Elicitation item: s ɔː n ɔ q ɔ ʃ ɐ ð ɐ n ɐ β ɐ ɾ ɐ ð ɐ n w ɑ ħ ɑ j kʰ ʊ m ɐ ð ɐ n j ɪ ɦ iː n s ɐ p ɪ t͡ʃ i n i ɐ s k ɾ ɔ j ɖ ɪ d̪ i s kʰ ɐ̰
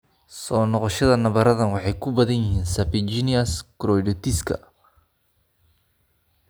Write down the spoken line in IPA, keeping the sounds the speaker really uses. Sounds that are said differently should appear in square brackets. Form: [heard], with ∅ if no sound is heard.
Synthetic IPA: s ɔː n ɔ q ɔ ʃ ɐ ð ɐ n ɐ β ɐ ɾ ɐ ð ɐ n w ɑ ħ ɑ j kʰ ʊ [b] ɐ ð ɐ n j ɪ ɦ iː n s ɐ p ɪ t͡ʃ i n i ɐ s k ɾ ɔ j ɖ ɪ [t̪] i s kʰ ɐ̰